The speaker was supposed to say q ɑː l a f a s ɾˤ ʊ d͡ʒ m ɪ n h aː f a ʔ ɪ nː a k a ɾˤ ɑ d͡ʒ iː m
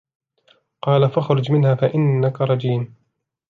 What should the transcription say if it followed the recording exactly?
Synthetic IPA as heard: q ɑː l a f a x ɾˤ ʊ d͡ʒ m ɪ n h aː f a ʔ ɪ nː a k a ɾˤ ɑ d͡ʒ iː n